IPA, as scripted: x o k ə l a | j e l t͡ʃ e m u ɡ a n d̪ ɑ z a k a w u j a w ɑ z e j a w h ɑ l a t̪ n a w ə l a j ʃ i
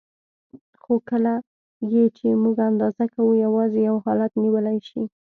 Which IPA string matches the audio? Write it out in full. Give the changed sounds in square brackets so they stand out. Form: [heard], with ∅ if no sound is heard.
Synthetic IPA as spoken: x o k ə l a | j e [∅] t͡ʃ e m u ɡ a n d̪ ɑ z a k a w u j a w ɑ z e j a w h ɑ l a t̪ n [i] w ə l a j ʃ i